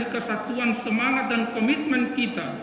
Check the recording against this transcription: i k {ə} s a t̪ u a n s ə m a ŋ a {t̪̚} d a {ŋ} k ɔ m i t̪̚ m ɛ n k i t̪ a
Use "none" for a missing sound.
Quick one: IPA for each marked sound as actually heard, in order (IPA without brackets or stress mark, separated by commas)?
ə, t̪̚, n